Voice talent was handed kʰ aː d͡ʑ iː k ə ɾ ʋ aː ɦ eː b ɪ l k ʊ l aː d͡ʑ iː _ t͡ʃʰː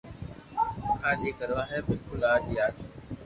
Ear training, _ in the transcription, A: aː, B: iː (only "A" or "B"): A